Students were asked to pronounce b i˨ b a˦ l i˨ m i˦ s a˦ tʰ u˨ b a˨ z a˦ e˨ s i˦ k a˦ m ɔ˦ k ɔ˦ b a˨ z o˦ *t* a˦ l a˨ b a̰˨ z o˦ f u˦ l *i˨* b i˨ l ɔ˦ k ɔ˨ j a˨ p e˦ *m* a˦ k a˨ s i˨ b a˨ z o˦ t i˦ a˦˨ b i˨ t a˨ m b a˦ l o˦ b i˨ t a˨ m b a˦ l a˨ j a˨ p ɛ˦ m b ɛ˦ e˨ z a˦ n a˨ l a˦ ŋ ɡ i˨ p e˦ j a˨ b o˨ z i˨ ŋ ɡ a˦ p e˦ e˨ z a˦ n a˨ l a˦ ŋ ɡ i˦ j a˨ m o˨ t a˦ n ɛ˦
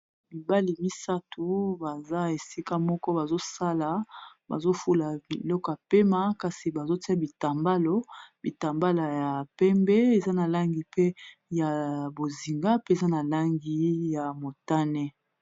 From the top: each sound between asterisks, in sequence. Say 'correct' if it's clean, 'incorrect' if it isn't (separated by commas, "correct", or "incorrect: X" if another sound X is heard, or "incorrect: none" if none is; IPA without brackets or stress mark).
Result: incorrect: s, incorrect: a˨, correct